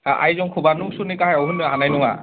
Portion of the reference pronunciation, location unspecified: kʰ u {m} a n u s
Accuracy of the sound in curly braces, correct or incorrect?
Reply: incorrect